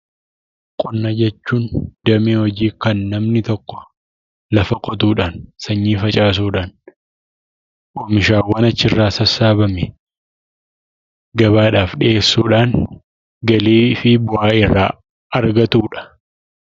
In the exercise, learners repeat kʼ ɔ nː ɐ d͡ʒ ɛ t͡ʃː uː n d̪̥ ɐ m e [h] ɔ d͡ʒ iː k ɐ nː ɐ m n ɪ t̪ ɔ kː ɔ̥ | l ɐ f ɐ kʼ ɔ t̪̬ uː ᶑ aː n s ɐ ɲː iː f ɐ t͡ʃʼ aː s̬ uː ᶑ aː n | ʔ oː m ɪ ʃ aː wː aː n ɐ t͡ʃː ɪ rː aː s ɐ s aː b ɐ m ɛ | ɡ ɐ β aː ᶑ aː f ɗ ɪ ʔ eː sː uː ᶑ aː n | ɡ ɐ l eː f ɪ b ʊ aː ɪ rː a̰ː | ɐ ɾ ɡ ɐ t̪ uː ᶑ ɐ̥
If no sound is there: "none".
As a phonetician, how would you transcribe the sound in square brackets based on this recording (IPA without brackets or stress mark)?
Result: h